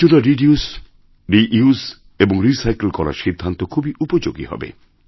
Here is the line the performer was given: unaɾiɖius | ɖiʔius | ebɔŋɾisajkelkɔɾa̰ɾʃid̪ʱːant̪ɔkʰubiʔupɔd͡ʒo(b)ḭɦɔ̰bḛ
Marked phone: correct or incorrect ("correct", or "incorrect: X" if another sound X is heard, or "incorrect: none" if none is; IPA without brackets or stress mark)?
incorrect: ɡ